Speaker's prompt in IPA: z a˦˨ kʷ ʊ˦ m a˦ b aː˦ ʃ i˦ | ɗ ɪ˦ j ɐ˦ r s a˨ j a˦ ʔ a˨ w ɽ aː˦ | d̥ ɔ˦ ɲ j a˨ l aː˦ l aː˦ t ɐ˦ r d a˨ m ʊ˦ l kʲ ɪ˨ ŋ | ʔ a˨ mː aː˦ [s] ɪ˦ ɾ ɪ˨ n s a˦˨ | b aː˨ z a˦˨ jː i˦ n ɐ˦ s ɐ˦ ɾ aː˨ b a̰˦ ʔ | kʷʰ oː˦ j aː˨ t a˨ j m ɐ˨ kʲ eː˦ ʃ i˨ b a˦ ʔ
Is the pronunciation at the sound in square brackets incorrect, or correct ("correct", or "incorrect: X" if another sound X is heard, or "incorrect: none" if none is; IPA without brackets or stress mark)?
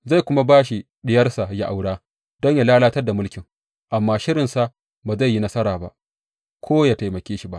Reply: incorrect: ʃ